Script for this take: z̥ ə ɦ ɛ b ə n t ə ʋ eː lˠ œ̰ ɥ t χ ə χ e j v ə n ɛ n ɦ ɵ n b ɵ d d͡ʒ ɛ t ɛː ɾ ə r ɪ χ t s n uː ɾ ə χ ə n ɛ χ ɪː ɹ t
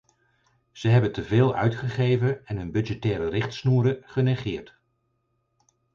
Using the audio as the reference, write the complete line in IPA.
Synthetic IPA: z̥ ə ɦ ɛ b ə n t ə v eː lˠ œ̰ ɥ t χ ə χ e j v ə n ɛ n ɦ ɵ n b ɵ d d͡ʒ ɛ t ɛː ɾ ə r ɪ χ t s n uː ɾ ə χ ə n ɛ χ ɪː ɹ t